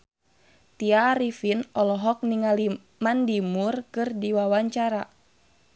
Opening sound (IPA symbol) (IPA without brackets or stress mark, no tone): t̪